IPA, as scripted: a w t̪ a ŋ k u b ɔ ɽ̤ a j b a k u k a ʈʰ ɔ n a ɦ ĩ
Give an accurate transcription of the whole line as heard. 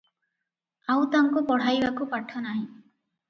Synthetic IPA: a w t̪ a ŋ k u p ɔ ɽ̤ a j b a k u p a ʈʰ ɔ n a ɦ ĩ